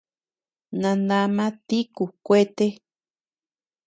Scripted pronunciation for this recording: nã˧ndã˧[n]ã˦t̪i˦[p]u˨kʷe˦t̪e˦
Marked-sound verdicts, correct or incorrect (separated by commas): incorrect, incorrect